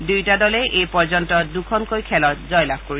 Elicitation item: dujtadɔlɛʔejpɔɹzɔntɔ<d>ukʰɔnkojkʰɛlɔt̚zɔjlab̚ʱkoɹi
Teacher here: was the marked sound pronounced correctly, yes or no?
yes